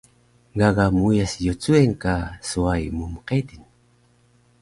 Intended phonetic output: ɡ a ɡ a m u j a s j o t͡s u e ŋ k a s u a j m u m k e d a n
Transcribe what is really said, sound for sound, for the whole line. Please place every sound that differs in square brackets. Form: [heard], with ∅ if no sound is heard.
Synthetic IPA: ɡ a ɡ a m u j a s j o t͡s u e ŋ k a s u a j m u m [q] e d [i] n

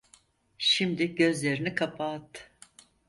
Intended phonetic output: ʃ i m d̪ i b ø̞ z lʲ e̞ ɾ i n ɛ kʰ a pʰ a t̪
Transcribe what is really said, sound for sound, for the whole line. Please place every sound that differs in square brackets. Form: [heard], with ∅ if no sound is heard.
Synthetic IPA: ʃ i m d̪ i [ɟ] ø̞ z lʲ e̞ ɾ i n [i] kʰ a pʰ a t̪

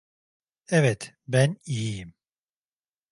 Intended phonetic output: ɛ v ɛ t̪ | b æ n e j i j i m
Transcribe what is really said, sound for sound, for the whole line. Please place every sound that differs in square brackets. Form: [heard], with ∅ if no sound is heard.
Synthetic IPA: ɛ v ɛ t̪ | b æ n [i] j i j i m

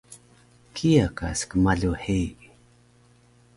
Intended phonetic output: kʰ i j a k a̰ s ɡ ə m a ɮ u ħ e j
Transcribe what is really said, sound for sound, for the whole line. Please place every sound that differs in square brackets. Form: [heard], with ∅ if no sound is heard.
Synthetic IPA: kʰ i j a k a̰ s [k] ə m a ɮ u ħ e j

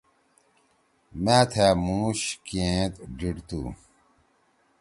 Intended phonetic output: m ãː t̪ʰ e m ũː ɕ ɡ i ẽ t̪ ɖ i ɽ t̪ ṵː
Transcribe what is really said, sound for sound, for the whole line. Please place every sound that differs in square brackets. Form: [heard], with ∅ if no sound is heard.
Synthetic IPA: m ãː t̪ʰ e m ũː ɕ [k] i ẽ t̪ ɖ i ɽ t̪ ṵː

